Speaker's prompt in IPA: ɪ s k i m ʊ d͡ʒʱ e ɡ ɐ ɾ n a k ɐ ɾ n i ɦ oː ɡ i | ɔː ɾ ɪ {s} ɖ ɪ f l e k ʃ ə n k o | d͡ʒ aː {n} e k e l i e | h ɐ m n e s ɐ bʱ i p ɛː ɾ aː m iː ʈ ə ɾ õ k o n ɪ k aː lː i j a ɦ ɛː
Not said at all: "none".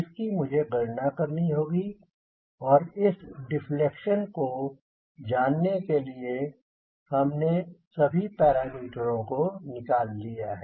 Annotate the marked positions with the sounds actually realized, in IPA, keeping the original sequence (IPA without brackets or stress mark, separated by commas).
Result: s, nː